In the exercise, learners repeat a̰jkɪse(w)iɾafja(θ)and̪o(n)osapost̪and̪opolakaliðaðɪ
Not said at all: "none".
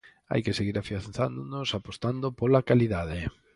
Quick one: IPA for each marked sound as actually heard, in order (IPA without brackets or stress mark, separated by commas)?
ɣ, θ, n